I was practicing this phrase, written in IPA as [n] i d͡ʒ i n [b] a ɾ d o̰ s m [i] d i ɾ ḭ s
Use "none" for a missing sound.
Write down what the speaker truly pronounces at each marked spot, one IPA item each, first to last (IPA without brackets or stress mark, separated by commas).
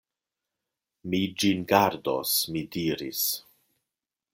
m, ɡ, i